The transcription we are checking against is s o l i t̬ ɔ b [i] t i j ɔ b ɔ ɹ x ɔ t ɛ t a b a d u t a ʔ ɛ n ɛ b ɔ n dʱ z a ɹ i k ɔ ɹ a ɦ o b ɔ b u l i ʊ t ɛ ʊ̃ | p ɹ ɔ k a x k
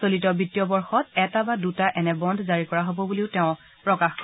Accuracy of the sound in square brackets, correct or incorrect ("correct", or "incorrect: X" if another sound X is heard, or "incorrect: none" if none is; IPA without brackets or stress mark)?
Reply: correct